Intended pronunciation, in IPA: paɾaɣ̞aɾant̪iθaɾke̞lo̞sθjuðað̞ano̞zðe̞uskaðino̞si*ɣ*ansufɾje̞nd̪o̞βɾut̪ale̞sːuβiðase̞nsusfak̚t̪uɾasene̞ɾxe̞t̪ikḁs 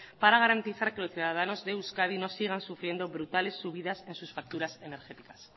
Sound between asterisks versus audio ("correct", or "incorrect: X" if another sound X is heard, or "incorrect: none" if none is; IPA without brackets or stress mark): correct